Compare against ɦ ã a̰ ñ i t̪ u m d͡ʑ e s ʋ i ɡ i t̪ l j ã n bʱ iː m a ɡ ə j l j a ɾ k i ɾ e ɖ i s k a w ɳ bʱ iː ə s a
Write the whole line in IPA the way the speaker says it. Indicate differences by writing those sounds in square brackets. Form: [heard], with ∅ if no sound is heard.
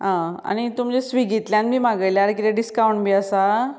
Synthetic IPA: ɦ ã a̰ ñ i t̪ u m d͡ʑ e s ʋ i ɡ i t̪ l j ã n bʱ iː m a ɡ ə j l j a ɾ k i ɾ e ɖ i s k a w ɳ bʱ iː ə s a